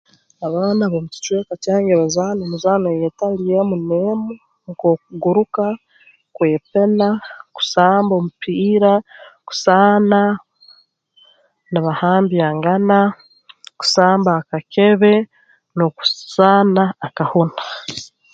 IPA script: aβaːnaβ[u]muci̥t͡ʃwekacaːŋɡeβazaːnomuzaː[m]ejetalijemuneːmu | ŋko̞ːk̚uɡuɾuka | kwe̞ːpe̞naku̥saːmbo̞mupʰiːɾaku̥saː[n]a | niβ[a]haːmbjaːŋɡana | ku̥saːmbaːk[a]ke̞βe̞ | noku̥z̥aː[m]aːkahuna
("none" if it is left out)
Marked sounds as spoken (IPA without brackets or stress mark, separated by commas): o, n, n, a, a, n